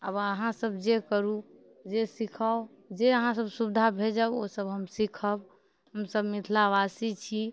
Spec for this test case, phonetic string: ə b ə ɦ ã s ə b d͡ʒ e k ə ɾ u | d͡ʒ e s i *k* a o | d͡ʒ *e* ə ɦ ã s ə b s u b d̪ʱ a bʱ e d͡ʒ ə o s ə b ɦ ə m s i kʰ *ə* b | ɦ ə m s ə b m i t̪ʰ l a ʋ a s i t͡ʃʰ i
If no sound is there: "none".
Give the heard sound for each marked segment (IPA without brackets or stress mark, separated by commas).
kʰ, e, ə